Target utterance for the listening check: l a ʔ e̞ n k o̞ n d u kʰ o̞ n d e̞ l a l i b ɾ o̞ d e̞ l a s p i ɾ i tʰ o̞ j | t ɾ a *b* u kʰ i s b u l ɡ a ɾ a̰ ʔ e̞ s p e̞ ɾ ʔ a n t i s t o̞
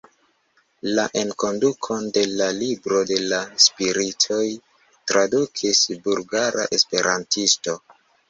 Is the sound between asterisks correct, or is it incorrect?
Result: incorrect